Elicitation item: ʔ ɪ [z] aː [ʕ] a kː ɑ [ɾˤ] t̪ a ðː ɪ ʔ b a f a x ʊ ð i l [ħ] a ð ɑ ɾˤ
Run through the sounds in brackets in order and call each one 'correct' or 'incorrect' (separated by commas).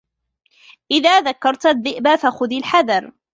incorrect, incorrect, correct, correct